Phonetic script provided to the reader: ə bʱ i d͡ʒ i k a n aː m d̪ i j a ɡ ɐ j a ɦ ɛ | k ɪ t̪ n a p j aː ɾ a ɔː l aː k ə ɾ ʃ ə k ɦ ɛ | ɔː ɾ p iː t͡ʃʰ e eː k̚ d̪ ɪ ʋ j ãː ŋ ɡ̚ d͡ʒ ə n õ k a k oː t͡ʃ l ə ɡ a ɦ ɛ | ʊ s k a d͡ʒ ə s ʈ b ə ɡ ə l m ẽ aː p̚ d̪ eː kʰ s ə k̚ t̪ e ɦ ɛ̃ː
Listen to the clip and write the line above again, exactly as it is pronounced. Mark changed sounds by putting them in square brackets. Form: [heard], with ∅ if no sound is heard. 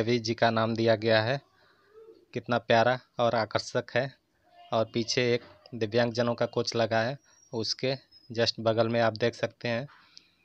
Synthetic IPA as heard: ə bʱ i d͡ʒ i k a n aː m d̪ i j a ɡ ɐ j a ɦ ɛ | k ɪ t̪ n a p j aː ɾ a ɔː [ɾ] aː k ə ɾ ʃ ə k ɦ ɛ | ɔː ɾ p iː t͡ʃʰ e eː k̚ d̪ ɪ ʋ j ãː ŋ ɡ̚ d͡ʒ ə n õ k a k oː t͡ʃ l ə ɡ a ɦ ɛ | ʊ s k [e] d͡ʒ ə s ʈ b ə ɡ ə l m ẽ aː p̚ d̪ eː kʰ s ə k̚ t̪ e ɦ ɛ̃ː